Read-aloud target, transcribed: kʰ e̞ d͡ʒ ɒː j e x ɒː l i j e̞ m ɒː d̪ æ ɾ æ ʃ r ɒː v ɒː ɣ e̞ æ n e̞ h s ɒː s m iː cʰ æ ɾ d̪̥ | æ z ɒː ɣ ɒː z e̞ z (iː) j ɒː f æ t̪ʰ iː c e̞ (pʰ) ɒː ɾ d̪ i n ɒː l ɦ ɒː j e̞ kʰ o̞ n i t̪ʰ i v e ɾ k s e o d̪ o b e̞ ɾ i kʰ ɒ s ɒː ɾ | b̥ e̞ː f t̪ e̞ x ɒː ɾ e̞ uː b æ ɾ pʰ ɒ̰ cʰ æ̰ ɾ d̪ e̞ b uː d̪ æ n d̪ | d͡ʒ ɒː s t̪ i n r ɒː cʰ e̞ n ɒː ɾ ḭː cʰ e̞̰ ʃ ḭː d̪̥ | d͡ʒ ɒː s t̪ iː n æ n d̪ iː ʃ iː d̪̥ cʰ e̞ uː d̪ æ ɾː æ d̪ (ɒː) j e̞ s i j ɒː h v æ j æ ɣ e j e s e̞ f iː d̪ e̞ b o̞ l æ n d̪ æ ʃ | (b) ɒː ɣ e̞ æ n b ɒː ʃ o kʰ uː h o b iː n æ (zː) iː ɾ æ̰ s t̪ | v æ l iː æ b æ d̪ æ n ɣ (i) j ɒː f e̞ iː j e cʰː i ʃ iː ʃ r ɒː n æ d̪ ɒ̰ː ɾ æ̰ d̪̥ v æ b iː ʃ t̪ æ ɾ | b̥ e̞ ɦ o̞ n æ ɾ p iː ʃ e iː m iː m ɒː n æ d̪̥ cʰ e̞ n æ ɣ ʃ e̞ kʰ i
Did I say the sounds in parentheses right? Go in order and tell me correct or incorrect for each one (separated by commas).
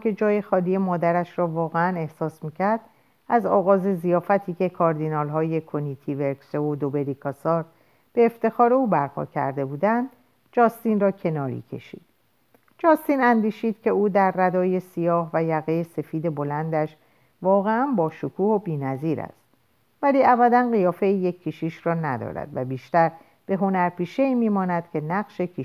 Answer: incorrect, incorrect, correct, incorrect, incorrect, correct